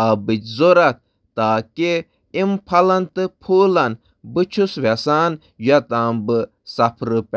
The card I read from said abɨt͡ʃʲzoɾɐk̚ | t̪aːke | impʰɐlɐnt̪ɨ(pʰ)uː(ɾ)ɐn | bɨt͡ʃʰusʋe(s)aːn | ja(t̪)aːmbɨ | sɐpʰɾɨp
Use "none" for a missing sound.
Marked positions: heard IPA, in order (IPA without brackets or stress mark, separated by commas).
pʰ, l, s, t̪